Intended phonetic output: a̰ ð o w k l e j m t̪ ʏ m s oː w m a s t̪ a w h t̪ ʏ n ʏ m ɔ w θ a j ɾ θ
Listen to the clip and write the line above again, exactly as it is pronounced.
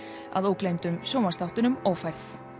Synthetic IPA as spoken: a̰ ð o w k l e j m t̪ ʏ m s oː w m a s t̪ a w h t̪ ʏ n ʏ m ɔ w f a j ɾ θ